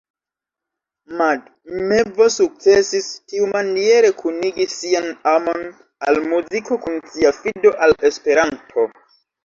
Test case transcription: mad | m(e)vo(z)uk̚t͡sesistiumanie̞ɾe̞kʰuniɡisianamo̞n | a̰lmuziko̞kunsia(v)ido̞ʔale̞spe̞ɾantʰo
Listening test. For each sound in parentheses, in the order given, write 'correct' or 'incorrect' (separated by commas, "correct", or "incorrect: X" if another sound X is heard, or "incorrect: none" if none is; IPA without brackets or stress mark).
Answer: correct, incorrect: s, incorrect: f